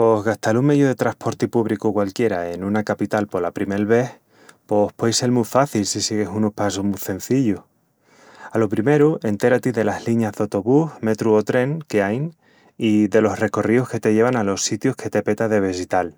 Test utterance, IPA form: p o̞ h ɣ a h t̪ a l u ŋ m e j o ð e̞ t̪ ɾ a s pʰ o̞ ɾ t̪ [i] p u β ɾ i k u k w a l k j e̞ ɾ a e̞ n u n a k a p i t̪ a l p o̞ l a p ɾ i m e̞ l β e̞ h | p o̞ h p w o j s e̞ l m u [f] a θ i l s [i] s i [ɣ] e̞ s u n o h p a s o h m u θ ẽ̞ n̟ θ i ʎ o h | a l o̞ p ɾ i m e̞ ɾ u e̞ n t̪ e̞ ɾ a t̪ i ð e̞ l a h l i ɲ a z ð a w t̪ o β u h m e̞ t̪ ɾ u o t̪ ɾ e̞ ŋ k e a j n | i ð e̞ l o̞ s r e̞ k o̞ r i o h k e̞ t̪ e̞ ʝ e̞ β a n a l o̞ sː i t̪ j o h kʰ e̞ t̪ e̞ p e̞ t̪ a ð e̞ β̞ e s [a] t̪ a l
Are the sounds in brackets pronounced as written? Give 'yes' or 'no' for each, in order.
yes, yes, yes, yes, no

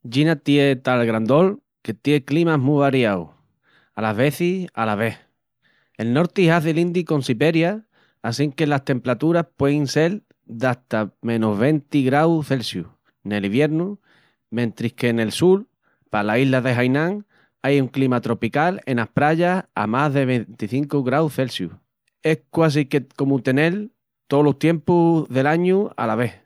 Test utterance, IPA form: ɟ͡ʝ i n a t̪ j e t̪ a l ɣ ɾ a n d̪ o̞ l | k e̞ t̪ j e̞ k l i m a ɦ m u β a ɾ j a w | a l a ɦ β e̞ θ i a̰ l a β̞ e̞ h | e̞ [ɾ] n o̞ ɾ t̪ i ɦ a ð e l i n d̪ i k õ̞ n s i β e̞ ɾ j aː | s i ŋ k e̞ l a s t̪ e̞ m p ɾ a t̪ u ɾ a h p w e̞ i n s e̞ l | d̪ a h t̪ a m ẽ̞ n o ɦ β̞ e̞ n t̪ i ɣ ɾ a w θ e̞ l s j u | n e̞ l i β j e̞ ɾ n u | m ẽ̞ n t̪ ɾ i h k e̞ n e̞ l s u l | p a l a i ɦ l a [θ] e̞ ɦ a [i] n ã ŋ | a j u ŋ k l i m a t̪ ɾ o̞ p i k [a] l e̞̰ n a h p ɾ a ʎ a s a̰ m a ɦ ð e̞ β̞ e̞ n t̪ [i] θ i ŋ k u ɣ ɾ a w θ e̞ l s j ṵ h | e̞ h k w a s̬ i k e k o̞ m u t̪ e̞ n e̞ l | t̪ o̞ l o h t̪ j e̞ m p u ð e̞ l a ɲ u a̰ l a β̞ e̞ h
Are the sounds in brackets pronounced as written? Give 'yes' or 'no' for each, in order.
no, no, no, yes, yes

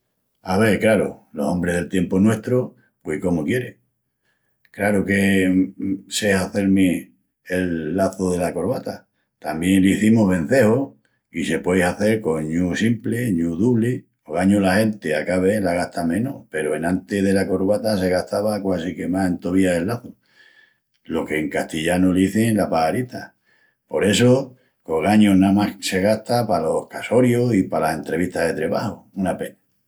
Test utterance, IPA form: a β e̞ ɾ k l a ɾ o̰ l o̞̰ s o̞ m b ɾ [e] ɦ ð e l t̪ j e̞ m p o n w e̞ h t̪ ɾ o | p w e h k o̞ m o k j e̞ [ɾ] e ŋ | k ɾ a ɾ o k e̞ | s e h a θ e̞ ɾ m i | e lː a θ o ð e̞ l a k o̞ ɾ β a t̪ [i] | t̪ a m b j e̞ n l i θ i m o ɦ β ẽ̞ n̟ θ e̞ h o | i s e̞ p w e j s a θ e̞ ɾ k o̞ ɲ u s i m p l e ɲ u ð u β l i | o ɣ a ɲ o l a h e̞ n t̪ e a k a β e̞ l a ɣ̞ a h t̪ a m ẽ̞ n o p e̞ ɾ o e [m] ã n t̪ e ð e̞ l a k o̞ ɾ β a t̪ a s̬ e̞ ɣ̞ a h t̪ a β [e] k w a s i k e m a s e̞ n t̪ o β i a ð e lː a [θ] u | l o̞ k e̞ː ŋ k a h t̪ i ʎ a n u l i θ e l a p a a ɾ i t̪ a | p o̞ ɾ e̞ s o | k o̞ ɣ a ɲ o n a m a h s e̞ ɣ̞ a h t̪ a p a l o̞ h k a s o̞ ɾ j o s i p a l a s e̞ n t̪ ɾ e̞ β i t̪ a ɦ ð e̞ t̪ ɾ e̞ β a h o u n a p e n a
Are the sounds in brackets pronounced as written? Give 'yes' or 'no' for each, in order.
yes, yes, no, no, no, yes

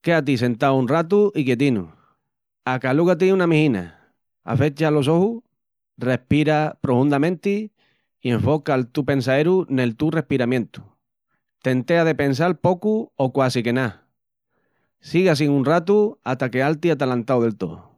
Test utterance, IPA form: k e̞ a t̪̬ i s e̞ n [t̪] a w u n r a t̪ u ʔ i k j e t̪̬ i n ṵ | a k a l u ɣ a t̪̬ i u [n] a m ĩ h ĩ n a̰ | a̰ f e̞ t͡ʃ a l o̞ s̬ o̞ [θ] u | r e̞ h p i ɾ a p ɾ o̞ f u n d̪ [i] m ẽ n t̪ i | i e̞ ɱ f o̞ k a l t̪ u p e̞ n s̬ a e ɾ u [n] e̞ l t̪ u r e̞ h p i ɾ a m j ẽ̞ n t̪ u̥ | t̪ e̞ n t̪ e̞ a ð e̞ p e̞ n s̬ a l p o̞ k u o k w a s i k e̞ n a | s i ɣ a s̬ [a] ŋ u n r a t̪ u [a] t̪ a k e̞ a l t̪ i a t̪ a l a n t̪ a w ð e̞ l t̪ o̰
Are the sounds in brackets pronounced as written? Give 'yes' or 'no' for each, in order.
yes, yes, no, no, yes, no, yes

